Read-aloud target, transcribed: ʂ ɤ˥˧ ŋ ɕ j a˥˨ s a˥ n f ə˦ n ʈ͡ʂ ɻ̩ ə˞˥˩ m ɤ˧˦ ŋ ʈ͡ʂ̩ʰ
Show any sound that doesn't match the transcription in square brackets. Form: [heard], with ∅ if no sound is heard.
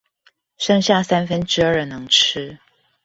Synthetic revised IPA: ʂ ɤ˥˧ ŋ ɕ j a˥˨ s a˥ n f ə˦ n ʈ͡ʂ ɻ̩ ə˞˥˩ [n] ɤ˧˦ ŋ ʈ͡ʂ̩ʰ

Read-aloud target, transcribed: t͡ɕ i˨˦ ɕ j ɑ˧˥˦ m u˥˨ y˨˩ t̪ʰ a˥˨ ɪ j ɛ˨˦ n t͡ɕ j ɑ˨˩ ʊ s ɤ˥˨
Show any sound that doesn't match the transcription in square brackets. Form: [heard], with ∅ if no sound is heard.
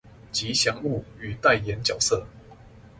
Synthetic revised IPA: t͡ɕ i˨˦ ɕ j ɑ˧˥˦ [ŋ] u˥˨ y˨˩ [t̪] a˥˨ ɪ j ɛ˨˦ n t͡ɕ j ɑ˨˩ ʊ s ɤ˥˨

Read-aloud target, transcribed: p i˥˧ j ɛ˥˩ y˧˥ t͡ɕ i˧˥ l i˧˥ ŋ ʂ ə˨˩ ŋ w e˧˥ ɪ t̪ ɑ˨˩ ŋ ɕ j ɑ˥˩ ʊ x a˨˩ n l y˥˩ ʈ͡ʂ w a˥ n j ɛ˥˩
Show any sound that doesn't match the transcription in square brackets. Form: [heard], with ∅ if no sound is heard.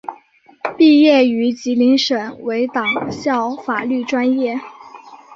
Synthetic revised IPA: p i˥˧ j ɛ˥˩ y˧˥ t͡ɕ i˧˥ l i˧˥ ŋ ʂ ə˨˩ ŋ w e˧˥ ɪ t̪ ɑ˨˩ ŋ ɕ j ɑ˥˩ ʊ [f] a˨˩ [∅] l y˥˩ ʈ͡ʂ w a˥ n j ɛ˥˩

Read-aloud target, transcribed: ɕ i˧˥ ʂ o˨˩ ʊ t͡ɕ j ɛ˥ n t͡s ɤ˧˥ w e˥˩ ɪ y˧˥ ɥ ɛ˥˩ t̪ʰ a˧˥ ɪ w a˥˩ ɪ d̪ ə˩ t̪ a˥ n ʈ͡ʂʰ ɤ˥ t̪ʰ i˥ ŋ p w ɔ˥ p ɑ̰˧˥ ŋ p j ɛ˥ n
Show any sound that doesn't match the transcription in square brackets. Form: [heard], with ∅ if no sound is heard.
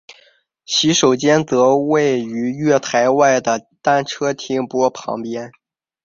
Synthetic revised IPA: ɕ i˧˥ ʂ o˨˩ ʊ t͡ɕ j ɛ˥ n t͡s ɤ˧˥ w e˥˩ ɪ y˧˥ ɥ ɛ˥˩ t̪ʰ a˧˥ ɪ w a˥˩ ɪ d̪ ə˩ t̪ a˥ n ʈ͡ʂʰ ɤ˥ t̪ʰ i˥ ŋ p w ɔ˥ [pʰ] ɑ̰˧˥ ŋ p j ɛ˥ n

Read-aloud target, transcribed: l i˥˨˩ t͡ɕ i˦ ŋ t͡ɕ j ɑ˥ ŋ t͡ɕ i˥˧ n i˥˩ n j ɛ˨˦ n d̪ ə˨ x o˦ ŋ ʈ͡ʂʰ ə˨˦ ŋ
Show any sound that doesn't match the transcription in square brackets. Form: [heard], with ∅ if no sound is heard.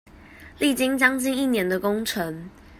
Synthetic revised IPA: l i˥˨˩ t͡ɕ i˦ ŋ t͡ɕ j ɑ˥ ŋ t͡ɕ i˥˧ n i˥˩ n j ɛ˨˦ n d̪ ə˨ [k] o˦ ŋ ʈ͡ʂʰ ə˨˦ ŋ

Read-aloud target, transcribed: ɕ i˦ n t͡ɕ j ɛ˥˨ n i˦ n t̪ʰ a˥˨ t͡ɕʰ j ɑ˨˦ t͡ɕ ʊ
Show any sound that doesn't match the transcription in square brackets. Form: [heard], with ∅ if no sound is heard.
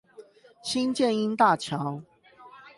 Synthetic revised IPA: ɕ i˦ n t͡ɕ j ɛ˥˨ n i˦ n [t̪] a˥˨ t͡ɕʰ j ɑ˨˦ [∅] ʊ

